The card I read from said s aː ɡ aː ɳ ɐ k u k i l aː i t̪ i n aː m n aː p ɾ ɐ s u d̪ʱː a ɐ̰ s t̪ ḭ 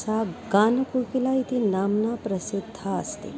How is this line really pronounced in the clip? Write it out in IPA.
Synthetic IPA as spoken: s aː ɡ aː n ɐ k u k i l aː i t̪ i n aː m n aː p ɾ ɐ s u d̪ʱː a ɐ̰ s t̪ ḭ